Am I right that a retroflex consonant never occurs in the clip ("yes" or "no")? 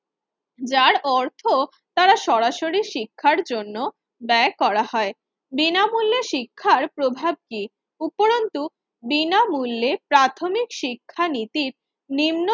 yes